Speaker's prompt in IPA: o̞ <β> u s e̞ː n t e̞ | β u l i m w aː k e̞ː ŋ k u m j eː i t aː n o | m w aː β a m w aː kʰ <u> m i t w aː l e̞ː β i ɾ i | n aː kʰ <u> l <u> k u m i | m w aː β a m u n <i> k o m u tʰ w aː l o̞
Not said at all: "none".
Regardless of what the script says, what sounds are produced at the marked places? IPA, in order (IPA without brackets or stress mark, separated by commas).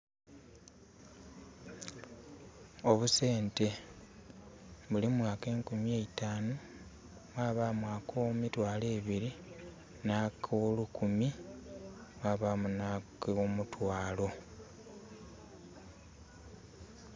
β, o, o, u, a